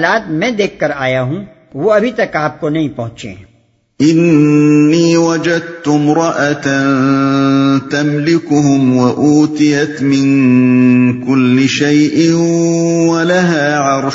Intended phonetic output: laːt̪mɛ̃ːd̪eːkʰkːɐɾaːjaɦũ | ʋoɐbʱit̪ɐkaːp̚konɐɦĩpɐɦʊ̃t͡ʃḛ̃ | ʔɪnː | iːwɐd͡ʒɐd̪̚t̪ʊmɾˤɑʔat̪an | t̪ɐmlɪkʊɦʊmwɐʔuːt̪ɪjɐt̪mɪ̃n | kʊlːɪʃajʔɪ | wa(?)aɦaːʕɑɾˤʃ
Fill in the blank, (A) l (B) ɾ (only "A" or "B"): A